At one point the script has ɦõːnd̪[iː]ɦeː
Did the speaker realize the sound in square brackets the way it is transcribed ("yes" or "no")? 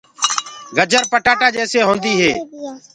yes